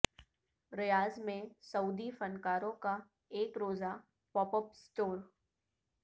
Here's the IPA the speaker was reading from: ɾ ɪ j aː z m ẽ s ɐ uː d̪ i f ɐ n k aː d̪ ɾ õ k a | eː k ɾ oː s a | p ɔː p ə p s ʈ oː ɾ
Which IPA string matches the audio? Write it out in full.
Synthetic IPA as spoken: ɾ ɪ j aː z m ẽ s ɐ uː d̪ i f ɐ n k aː ɾ õ k a | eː k ɾ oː z a | p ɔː p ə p s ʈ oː ɾ